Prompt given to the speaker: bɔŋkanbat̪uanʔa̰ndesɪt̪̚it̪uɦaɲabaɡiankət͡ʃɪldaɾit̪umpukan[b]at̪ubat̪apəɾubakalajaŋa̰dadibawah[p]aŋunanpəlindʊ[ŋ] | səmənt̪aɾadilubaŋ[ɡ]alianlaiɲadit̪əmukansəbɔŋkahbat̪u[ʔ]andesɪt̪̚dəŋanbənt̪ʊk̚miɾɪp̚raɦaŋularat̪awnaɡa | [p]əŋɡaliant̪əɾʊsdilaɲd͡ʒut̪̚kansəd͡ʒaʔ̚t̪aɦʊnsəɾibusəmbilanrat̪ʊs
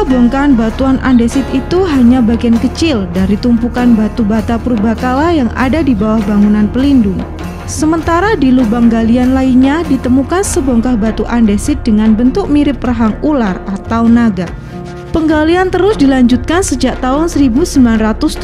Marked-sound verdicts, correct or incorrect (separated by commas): correct, incorrect, correct, correct, correct, correct